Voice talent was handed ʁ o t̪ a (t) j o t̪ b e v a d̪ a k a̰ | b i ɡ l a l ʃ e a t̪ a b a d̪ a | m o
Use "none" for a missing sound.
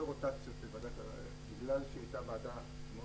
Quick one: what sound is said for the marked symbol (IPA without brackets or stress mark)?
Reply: t͡s